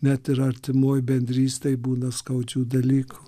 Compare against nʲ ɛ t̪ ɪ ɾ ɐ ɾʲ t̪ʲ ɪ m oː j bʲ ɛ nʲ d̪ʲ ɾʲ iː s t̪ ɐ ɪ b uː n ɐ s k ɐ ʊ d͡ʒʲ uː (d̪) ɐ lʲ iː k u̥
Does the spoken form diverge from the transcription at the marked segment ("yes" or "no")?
no